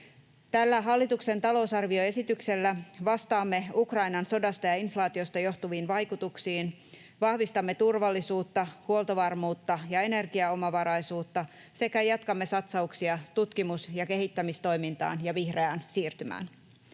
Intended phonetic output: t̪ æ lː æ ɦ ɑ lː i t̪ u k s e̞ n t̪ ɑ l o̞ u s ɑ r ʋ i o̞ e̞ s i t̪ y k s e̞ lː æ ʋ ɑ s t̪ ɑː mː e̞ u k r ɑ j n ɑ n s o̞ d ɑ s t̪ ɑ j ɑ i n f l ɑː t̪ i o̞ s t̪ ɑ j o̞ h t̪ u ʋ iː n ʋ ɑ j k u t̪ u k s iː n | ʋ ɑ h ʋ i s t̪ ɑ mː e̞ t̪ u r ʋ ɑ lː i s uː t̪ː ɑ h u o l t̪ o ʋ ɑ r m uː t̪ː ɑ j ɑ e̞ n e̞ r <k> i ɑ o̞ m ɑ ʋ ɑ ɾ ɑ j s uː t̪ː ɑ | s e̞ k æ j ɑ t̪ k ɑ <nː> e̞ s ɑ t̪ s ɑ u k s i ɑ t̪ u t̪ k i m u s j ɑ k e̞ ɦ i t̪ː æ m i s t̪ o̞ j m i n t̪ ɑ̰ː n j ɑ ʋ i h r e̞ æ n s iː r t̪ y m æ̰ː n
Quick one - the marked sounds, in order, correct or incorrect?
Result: incorrect: ɡ, incorrect: mː

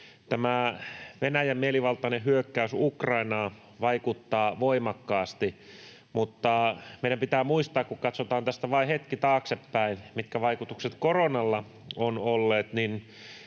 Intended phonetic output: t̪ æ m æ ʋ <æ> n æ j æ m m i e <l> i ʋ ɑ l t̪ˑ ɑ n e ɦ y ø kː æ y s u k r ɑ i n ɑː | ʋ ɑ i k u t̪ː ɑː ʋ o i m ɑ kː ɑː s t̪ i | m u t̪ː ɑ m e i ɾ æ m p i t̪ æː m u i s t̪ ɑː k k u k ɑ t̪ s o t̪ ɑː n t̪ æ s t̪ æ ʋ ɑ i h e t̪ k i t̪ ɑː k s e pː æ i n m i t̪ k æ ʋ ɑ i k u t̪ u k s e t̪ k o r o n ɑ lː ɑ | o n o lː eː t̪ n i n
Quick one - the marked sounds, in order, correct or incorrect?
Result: incorrect: e, correct

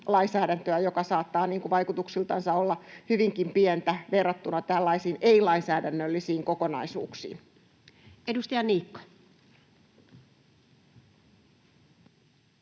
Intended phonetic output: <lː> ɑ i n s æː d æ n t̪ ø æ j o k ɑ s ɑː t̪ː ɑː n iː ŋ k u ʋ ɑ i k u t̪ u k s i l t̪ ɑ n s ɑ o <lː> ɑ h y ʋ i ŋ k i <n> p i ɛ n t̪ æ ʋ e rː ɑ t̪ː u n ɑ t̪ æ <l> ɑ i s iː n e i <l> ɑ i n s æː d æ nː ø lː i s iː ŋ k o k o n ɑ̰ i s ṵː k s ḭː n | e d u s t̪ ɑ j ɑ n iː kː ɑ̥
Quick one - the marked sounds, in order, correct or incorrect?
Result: incorrect: l, correct, incorrect: m, incorrect: lː, correct

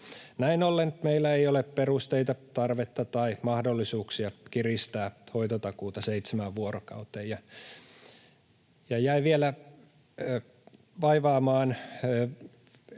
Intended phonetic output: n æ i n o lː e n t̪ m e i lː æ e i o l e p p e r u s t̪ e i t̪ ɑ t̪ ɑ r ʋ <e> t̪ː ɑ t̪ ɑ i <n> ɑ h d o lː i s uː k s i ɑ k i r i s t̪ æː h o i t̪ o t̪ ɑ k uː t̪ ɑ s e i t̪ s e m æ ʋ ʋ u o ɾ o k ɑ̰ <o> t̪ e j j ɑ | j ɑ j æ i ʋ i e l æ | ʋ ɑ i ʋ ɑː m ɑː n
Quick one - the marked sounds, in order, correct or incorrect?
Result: correct, incorrect: m, incorrect: u

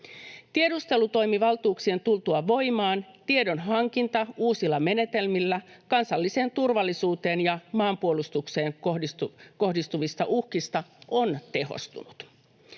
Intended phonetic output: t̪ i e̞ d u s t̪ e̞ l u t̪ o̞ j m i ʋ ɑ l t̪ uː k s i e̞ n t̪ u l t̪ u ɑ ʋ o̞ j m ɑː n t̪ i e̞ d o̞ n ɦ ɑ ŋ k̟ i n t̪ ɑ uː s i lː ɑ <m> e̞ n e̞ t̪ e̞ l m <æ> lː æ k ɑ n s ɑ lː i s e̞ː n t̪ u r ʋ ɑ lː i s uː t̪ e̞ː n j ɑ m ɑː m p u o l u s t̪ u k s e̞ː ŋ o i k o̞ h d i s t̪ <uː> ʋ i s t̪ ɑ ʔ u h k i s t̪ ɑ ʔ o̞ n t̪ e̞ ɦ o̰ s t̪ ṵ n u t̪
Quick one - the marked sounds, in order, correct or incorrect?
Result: correct, incorrect: i, incorrect: u

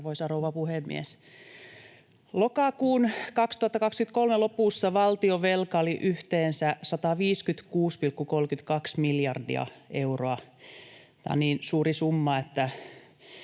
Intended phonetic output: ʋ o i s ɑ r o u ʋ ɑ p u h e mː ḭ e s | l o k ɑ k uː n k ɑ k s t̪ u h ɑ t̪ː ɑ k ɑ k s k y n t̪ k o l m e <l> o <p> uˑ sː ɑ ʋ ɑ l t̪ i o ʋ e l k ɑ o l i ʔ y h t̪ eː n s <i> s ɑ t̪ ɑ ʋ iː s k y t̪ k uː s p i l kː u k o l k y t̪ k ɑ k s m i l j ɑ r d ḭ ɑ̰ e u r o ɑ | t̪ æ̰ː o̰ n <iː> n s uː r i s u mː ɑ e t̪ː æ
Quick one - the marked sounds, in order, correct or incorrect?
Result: correct, correct, incorrect: æ, correct

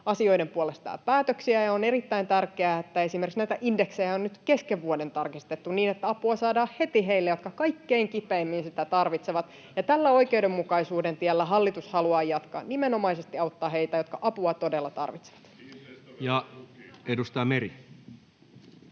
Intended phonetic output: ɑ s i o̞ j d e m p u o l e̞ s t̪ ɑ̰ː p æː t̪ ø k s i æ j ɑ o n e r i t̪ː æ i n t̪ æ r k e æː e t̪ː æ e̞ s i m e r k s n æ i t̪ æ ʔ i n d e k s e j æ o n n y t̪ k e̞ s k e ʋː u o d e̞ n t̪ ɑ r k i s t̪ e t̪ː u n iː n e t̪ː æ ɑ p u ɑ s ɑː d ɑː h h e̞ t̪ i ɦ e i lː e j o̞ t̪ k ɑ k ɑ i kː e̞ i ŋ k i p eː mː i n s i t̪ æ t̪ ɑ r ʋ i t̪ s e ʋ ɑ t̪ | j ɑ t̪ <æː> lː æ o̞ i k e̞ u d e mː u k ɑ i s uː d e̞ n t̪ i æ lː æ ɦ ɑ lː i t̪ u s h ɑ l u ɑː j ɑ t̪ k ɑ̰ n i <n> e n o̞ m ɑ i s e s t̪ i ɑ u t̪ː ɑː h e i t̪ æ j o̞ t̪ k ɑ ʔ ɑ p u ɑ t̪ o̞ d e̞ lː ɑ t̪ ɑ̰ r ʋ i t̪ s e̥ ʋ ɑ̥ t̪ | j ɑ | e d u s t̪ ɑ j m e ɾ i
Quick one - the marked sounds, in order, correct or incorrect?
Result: incorrect: æ, incorrect: m

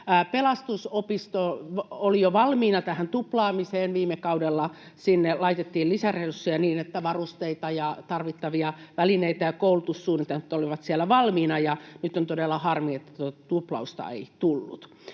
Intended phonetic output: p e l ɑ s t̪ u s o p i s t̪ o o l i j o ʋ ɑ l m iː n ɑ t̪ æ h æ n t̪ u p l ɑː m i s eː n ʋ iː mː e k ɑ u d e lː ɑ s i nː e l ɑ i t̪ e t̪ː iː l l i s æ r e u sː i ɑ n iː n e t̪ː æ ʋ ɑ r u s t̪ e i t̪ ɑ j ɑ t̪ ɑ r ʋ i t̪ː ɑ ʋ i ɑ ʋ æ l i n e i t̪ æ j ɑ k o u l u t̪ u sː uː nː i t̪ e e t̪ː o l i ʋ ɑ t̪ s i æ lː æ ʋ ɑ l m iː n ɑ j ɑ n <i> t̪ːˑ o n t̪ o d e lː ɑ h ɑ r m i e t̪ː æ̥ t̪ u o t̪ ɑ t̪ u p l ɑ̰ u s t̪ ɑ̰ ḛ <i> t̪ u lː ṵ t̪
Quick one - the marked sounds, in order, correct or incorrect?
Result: incorrect: y, correct

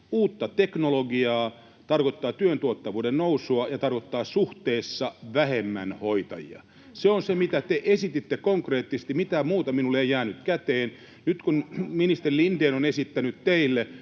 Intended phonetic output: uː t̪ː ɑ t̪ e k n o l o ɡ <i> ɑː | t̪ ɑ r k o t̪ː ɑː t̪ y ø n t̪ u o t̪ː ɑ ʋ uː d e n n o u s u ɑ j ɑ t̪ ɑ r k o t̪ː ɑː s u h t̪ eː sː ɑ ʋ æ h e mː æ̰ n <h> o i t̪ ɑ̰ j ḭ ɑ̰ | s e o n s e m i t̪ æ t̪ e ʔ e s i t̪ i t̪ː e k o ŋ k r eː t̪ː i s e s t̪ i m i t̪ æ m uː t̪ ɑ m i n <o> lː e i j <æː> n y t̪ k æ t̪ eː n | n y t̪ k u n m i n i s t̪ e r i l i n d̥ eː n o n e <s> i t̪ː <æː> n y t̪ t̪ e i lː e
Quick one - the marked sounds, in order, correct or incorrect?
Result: correct, correct, incorrect: u, correct, correct, incorrect: æ

